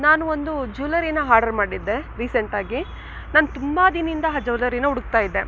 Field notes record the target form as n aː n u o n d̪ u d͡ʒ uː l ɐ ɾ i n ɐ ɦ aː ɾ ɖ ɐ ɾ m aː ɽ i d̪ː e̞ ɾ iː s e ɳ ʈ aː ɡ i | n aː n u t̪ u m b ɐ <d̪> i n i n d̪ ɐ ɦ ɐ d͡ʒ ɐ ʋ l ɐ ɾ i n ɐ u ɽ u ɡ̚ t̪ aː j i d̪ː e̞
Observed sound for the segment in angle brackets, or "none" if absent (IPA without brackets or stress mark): d̪